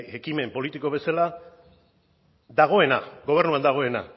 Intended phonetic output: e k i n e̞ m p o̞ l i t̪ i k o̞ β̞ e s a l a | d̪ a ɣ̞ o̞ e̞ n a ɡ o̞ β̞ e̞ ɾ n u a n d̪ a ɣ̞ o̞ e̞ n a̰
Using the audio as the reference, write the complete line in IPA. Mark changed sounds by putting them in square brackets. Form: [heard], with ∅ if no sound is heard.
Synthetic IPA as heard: e k i [m] e̞ m p o̞ l i t̪ i k o̞ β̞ e s a l a | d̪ a ɣ̞ o̞ e̞ n a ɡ o̞ β̞ e̞ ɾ n u a n d̪ a ɣ̞ o̞ e̞ n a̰